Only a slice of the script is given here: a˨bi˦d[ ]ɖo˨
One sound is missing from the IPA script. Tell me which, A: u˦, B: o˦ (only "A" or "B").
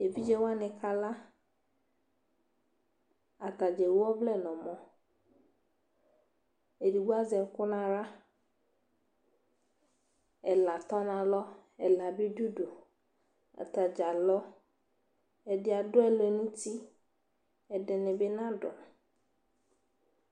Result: A